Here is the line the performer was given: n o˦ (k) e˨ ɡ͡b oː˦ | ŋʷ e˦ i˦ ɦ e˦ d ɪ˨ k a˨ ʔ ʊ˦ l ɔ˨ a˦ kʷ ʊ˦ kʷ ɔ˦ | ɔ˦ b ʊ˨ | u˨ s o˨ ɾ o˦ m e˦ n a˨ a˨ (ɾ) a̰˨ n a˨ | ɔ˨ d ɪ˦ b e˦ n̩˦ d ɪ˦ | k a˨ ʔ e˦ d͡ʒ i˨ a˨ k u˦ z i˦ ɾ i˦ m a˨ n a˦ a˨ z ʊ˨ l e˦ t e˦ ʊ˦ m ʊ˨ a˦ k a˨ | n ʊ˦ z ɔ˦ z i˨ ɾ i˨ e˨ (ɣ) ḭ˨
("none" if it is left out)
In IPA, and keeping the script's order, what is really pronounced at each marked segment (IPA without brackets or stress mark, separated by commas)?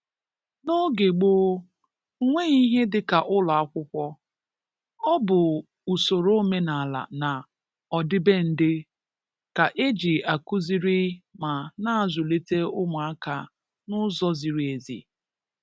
ɡ, l, z